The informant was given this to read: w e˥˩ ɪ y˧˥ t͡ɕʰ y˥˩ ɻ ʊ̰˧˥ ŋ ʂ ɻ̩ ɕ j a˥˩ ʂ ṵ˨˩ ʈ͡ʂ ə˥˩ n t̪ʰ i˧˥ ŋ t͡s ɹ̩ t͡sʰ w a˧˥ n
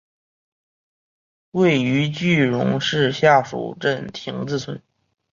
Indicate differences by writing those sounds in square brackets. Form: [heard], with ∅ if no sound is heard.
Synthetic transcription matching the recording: w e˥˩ ɪ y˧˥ [t͡ɕ] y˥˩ ɻ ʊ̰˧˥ ŋ ʂ ɻ̩ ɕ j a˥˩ ʂ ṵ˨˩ ʈ͡ʂ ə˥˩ n t̪ʰ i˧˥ ŋ t͡s ɹ̩ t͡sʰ w [ə˧˥] n